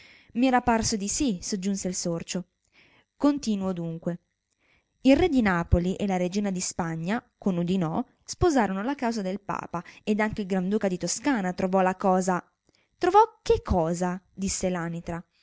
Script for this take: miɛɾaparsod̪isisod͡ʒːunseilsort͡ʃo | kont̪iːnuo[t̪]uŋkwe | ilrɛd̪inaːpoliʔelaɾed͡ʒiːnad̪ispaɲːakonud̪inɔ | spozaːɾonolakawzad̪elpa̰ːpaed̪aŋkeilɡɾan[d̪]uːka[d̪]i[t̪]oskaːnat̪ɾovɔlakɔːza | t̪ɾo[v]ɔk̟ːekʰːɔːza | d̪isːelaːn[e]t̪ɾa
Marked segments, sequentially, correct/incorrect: incorrect, correct, correct, correct, correct, incorrect

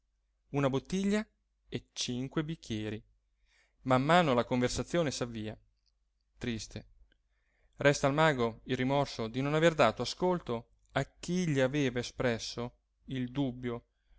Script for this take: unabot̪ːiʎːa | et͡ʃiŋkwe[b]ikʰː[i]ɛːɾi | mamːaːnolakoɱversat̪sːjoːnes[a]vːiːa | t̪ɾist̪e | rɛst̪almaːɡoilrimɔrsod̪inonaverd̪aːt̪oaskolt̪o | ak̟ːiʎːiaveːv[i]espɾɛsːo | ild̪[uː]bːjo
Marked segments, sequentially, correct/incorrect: correct, incorrect, correct, incorrect, incorrect

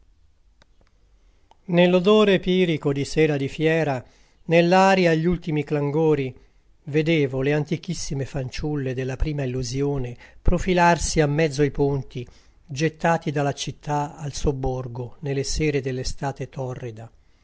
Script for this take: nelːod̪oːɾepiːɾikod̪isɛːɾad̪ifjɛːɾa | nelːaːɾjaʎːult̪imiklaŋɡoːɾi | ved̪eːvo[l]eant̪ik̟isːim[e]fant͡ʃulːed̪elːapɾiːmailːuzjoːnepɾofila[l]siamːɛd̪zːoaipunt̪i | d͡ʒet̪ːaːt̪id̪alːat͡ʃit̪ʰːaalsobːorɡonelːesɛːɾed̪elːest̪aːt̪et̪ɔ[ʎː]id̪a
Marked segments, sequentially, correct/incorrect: correct, correct, incorrect, incorrect

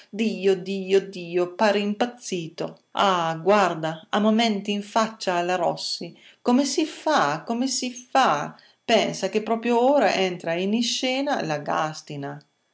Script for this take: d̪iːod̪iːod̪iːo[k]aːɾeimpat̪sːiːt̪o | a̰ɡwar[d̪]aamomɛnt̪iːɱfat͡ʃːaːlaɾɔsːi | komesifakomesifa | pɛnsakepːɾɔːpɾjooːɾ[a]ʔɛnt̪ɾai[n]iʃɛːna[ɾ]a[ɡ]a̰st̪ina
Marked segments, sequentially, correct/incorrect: incorrect, correct, correct, correct, incorrect, correct

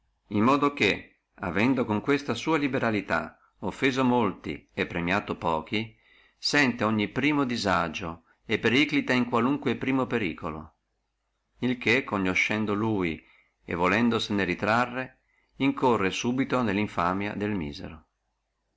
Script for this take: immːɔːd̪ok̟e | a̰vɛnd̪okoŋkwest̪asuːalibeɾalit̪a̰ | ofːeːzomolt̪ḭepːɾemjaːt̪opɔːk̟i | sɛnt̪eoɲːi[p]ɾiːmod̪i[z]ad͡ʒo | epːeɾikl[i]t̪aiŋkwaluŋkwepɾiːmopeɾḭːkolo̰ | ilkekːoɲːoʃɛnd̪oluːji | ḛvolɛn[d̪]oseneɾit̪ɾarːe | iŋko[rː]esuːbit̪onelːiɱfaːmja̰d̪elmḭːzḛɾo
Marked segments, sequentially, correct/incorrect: correct, correct, correct, correct, correct

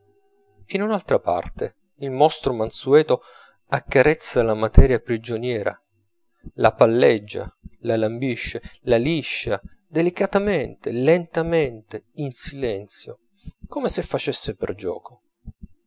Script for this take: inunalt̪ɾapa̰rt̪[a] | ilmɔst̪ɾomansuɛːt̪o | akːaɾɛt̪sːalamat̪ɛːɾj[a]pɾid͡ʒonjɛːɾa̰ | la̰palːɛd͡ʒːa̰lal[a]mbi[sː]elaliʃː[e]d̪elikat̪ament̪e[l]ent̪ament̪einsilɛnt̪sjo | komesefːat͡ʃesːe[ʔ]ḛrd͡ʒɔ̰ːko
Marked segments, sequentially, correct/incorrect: incorrect, correct, correct, incorrect, incorrect, correct, incorrect

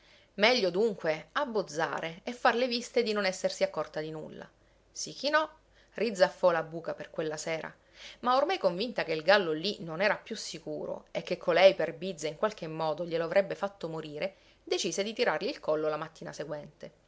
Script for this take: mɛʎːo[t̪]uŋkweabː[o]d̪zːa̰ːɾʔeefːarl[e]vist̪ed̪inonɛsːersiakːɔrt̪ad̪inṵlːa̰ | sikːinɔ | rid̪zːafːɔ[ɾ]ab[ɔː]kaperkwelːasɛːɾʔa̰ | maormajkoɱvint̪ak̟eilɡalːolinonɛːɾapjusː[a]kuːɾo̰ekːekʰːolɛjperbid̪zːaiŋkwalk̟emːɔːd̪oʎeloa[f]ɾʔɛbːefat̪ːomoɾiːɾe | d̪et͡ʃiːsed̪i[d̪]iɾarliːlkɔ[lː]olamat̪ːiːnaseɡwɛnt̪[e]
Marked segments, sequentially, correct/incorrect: incorrect, correct, correct, incorrect, incorrect, incorrect, incorrect, incorrect, correct, correct

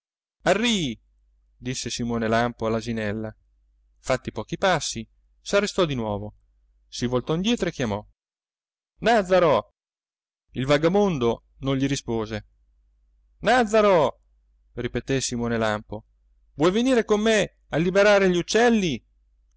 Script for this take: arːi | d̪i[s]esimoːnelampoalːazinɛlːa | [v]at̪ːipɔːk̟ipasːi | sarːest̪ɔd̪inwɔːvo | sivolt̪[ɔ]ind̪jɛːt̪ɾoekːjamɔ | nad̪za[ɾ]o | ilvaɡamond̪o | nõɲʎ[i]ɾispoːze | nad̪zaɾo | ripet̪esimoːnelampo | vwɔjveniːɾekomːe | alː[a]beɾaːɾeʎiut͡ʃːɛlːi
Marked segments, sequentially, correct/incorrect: incorrect, incorrect, correct, correct, correct, incorrect

